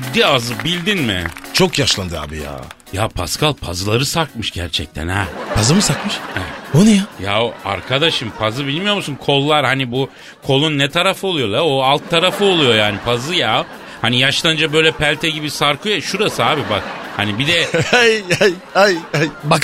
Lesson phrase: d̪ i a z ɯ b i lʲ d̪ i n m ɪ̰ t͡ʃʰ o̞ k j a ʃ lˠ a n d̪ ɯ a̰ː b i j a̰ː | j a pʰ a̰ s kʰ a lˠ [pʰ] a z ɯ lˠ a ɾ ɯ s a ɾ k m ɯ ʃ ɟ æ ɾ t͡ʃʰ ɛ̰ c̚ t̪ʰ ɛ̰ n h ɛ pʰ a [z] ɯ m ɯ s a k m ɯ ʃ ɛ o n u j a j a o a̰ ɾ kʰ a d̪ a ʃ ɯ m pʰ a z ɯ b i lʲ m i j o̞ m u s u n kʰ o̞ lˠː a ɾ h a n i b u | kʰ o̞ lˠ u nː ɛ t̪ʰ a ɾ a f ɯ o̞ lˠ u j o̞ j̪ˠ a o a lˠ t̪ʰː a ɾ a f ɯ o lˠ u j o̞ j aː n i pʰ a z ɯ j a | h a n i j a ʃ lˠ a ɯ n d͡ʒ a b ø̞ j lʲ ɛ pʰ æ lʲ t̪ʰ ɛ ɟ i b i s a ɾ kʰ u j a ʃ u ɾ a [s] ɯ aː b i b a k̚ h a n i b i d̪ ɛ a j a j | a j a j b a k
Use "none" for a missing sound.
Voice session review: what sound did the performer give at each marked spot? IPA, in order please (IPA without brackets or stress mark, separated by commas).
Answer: pʰ, z, s